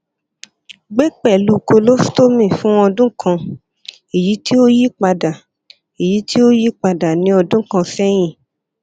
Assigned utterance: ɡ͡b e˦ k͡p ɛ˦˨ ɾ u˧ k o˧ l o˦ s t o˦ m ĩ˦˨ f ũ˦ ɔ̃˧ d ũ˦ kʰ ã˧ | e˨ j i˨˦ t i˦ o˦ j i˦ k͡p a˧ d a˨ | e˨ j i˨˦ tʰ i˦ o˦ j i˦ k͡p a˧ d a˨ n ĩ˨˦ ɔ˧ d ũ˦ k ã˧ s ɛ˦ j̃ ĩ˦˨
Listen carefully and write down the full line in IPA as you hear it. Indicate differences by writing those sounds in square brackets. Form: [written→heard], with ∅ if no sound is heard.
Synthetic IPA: ɡ͡b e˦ k͡p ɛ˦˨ [ɾ→l] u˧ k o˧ l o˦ s t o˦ m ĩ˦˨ f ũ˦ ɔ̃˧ d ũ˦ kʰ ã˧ | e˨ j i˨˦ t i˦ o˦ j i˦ k͡p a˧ d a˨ | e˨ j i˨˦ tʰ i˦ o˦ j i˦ k͡p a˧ d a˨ n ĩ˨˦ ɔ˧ d ũ˦ k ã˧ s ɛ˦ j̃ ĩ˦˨